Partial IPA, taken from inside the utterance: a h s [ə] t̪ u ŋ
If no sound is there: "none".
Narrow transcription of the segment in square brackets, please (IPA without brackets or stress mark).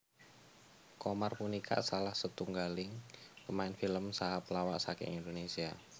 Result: ə